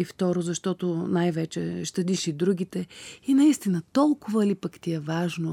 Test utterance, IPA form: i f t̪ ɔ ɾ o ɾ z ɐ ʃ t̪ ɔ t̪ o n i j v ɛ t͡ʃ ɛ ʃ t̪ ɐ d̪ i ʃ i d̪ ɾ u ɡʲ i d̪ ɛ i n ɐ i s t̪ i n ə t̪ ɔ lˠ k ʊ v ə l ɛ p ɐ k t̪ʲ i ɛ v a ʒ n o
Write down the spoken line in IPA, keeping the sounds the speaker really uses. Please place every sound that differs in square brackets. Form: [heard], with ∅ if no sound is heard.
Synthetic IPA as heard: i f t̪ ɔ ɾ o [∅] z ɐ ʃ t̪ ɔ t̪ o n [a] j v ɛ t͡ʃ ɛ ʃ t̪ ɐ d̪ i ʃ i d̪ ɾ u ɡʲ i [t̪] ɛ i n ɐ i s t̪ i n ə t̪ ɔ lˠ k ʊ v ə l [i] p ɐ k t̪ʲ i ɛ v a ʒ n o